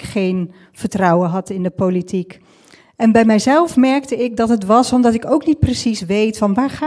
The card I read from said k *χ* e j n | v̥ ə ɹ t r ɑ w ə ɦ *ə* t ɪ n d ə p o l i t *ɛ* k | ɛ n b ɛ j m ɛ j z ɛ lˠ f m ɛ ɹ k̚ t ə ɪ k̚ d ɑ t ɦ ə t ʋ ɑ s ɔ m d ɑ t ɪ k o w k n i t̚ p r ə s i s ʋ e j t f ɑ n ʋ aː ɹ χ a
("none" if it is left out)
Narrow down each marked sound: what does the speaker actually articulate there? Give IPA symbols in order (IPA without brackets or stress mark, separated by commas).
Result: χ, ɑ, i